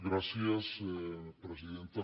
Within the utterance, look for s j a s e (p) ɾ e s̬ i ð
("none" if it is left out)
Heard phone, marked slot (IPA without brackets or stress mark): p